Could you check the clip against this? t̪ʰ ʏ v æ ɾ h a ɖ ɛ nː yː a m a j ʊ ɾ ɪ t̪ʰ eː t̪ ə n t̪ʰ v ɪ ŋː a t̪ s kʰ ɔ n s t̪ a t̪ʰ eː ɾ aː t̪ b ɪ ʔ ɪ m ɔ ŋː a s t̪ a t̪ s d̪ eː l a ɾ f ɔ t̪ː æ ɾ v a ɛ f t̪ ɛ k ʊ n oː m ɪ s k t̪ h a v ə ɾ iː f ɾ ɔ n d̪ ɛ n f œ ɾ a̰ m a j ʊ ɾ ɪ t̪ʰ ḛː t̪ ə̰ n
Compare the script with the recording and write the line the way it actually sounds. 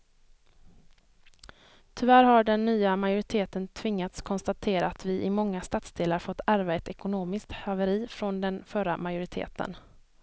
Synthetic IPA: t̪ʰ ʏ v æ ɾ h a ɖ ɛ nː yː a m a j ʊ ɾ ɪ t̪ʰ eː t̪ ə n t̪ʰ v ɪ ŋː a t̪ s kʰ ɔ n s t̪ a t̪ʰ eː ɾ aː t̪ v ɪ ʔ ɪ m ɔ ŋː a s t̪ a t̪ s d̪ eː l a ɾ f ɔ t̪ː æ ɾ v a ɛ t̪ ɛ k ʊ n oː m ɪ s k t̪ h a v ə ɾ iː f ɾ ɔ n d̪ ɛ n f œ ɾ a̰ m a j ʊ ɾ ɪ t̪ʰ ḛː t̪ ə̰ n